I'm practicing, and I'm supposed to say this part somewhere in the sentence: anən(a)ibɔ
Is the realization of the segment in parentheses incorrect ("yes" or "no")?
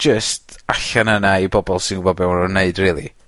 no